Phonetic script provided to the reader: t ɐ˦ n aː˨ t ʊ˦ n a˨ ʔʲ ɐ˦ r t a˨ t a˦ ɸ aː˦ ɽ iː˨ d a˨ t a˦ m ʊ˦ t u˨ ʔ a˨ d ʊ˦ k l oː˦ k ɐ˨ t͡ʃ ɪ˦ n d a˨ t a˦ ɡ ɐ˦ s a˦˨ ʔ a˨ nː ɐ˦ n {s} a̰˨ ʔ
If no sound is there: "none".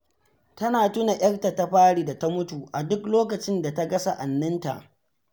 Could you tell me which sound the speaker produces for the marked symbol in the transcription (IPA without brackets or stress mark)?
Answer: t